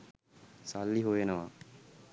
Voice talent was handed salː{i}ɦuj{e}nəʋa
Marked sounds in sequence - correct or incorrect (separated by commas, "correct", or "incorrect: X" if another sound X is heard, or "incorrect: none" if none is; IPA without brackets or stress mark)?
correct, correct